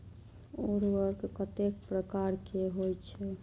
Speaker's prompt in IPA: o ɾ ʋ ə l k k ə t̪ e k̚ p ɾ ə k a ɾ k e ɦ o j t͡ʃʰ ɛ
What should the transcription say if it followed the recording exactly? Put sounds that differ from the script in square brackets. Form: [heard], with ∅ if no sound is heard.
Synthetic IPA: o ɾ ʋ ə [ɾ] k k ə t̪ e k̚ p ɾ ə k a ɾ k e ɦ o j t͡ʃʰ ɛ